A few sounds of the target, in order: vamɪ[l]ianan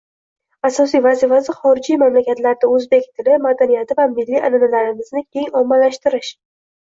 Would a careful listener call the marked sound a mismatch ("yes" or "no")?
yes